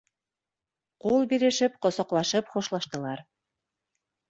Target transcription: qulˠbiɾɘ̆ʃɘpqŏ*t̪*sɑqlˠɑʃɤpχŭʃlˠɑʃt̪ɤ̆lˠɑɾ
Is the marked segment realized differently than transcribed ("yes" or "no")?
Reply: yes